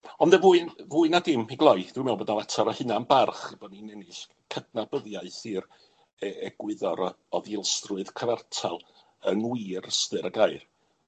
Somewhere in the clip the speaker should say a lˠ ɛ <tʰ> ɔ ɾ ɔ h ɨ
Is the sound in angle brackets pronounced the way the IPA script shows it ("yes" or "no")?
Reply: yes